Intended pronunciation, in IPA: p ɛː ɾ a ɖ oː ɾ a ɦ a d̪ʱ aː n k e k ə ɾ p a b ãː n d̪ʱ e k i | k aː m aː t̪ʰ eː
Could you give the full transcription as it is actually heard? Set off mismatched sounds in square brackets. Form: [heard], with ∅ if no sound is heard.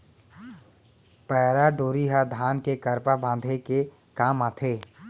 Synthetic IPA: p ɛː ɾ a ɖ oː ɾ [i] ɦ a d̪ʱ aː n k e k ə ɾ p a b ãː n d̪ʱ e k [e] | k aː m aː t̪ʰ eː